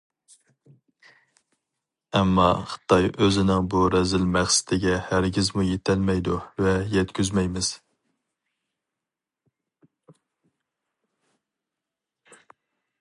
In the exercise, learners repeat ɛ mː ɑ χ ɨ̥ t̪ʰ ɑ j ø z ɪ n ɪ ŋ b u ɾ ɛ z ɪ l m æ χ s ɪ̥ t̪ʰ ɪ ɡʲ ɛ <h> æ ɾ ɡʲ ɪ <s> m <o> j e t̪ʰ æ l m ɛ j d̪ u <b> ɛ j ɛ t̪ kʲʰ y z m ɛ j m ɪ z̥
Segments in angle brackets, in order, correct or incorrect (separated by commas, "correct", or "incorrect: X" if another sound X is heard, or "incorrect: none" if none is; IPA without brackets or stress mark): correct, incorrect: z, incorrect: u, incorrect: v